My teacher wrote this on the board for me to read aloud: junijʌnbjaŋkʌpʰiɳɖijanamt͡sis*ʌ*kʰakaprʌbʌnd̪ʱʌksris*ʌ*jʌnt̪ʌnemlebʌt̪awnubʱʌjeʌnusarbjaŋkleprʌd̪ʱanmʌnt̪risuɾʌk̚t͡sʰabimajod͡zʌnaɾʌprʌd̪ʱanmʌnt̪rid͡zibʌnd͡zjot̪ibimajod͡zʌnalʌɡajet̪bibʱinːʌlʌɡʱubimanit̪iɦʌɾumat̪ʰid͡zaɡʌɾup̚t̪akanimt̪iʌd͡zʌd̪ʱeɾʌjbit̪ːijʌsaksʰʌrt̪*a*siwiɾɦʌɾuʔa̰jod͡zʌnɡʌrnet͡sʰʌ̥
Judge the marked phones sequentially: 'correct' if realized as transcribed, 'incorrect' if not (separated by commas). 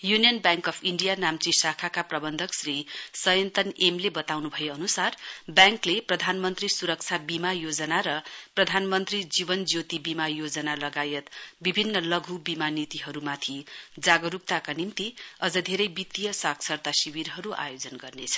incorrect, correct, correct